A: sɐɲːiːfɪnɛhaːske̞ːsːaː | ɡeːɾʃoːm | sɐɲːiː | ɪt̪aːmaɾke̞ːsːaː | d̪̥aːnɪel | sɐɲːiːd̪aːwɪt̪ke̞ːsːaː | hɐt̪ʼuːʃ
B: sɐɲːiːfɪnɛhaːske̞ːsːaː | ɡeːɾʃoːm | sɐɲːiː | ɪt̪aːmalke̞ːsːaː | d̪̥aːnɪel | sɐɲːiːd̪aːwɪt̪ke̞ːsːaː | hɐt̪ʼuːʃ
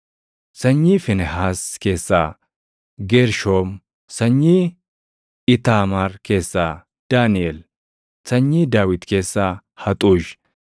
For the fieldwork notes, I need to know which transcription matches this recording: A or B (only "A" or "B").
A